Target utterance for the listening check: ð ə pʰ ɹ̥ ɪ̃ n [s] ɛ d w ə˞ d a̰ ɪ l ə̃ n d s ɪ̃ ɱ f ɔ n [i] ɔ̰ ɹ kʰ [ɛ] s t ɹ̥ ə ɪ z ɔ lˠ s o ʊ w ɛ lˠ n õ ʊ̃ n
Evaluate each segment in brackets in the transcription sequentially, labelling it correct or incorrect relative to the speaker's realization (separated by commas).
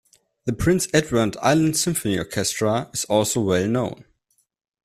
correct, correct, correct